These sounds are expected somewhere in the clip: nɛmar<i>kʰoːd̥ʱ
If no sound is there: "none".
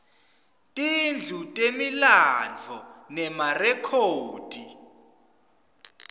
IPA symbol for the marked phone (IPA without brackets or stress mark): ɛ